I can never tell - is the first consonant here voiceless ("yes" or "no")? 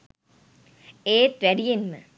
yes